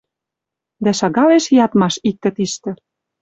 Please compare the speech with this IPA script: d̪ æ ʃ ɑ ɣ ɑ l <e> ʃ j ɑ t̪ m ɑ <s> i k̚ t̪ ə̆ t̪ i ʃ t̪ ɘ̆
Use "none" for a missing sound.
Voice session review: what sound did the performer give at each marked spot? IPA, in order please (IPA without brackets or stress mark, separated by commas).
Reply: e, ʃ